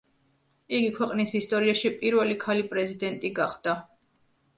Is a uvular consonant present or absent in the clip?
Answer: present